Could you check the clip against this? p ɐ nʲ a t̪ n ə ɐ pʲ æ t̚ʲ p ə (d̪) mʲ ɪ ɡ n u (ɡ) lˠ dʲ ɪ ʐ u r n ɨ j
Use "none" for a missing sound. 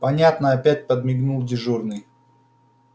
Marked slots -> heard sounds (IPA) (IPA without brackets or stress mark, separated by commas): d̪, none